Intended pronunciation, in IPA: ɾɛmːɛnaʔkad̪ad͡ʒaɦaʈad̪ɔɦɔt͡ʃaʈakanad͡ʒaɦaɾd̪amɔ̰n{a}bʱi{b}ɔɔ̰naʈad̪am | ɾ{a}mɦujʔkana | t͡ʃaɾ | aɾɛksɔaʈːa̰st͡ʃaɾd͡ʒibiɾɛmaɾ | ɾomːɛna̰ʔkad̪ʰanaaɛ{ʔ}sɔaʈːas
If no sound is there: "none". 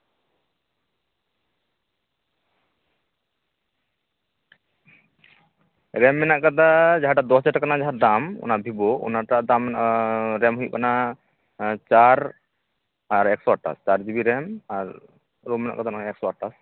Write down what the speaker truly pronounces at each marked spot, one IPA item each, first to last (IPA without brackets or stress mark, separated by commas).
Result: a, b, ɛ, k